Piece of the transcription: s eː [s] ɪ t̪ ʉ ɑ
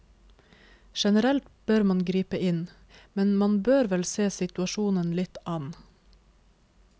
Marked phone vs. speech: correct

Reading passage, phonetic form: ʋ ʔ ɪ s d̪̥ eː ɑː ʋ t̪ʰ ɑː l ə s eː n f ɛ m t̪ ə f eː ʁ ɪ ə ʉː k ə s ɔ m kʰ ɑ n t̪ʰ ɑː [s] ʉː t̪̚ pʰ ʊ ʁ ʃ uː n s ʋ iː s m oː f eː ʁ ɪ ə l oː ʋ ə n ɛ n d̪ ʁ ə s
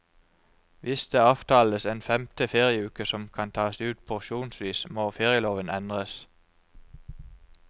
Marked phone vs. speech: correct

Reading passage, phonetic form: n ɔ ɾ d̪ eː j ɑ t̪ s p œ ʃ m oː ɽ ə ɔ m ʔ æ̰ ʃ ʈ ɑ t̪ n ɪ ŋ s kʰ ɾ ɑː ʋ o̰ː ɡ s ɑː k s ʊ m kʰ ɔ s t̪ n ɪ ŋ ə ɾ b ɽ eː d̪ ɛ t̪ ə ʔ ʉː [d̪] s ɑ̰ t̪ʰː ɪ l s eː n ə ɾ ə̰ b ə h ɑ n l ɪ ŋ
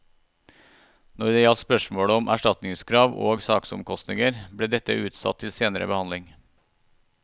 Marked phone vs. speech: incorrect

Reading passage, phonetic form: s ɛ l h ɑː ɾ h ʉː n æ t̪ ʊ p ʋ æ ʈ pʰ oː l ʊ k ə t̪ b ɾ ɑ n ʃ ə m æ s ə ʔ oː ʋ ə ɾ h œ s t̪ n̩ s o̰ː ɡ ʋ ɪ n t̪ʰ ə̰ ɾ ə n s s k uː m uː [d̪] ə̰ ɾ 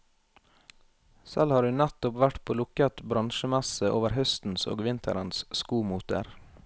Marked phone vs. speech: incorrect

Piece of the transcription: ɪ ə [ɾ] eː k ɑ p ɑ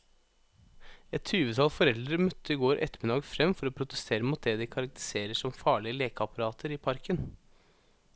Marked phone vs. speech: incorrect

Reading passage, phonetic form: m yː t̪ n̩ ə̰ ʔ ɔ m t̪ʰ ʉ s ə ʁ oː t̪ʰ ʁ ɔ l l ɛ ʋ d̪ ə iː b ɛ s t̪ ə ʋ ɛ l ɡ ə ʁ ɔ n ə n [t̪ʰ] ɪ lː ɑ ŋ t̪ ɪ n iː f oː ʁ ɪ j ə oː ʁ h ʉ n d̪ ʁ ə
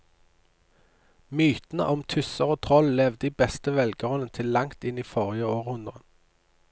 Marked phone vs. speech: correct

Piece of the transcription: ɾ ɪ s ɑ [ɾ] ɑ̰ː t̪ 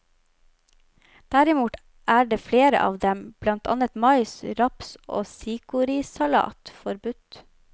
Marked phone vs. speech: incorrect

